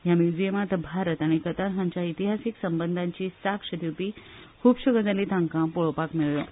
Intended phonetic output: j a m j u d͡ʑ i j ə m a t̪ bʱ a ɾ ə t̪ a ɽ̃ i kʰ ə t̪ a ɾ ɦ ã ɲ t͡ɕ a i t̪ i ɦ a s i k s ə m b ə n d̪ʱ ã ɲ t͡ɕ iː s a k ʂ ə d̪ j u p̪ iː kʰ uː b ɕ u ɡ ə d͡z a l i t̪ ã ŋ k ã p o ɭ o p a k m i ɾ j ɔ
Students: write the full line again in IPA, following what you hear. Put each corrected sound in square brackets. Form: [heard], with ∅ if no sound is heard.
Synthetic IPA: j a m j u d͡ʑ i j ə m a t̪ bʱ a ɾ ə t̪ a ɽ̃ i [k] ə t̪ a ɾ ɦ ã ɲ t͡ɕ a i t̪ i ɦ a s i k s ə m b ə n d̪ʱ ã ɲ t͡ɕ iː s a k ʂ ə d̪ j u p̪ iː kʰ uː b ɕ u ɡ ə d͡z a l i t̪ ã ŋ k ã p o ɭ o p a k m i [ɭ] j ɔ